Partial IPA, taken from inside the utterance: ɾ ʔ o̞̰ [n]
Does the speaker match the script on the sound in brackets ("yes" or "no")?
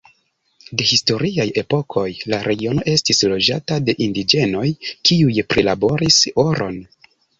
yes